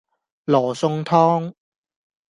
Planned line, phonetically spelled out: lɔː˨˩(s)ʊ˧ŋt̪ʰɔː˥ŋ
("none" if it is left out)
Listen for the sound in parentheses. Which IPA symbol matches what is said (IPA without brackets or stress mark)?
s